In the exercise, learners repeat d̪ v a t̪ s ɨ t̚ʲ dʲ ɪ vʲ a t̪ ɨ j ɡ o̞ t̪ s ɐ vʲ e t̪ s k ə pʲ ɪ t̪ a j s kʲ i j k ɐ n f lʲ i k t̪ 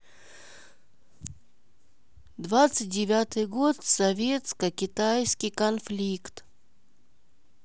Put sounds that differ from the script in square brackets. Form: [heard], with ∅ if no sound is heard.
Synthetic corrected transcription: d̪ v a t̪ s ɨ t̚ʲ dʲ ɪ vʲ a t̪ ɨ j ɡ o̞ t̪ s ɐ vʲ e t̪ s k ə [kʲ] ɪ t̪ a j s kʲ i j k ɐ n f lʲ i k t̪